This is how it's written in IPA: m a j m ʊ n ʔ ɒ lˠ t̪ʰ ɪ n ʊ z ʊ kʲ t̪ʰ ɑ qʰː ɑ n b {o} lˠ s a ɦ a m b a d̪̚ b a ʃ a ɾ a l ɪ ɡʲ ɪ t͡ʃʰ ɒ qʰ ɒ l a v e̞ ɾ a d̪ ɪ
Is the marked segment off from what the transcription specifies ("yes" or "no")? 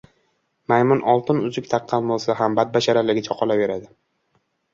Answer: no